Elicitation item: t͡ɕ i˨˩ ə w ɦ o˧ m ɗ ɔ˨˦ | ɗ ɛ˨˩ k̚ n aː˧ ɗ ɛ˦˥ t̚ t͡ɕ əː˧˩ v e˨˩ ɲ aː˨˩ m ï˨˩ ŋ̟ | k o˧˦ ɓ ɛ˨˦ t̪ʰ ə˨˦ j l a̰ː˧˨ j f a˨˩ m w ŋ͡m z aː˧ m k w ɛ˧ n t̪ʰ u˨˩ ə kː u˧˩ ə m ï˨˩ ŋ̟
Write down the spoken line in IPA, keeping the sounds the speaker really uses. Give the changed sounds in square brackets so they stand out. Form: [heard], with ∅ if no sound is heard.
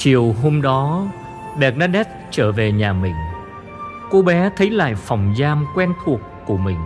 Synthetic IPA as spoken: t͡ɕ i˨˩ ə w ɦ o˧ m ɗ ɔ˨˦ | ɗ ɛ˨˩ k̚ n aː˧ ɗ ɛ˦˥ t̚ t͡ɕ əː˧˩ v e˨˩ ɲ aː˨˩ m ï˨˩ ŋ̟ | k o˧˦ ɓ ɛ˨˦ t̪ʰ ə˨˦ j l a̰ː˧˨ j f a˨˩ [∅] w ŋ͡m z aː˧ m k w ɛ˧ n t̪ʰ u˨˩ ə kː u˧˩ ə m ï˨˩ ŋ̟